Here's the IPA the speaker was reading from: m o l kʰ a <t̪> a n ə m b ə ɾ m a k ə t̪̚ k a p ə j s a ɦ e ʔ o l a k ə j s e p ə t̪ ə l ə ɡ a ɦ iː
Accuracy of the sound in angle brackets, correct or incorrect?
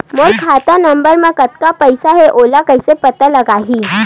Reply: correct